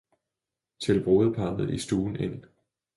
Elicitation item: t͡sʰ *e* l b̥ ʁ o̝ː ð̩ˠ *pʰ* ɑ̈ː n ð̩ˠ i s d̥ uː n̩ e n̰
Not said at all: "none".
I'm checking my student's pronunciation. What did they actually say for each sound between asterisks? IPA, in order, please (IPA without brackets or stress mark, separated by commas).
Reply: e, pʰ